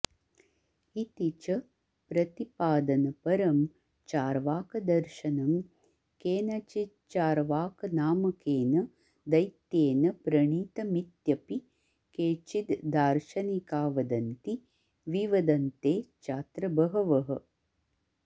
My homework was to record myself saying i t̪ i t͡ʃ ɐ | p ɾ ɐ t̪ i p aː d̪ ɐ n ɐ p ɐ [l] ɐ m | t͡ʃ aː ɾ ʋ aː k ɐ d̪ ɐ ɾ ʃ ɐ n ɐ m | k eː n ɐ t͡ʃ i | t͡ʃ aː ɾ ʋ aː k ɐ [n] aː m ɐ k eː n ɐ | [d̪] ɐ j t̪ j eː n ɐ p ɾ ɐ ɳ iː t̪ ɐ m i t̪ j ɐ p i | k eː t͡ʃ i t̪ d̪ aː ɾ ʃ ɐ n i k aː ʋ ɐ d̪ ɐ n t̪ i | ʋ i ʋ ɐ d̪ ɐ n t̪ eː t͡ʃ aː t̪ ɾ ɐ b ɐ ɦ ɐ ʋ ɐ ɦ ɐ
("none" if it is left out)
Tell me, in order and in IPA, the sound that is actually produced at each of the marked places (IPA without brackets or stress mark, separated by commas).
ɾ, n, d̪